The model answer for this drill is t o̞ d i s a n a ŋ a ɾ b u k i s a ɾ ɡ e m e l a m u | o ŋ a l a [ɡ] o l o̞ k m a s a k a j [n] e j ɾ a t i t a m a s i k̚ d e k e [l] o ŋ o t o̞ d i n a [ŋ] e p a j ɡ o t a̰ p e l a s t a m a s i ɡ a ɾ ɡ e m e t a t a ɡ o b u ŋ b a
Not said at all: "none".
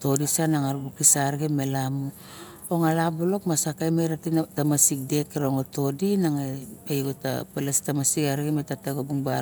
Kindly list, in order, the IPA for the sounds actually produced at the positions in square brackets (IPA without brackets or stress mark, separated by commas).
b, m, ɾ, ŋ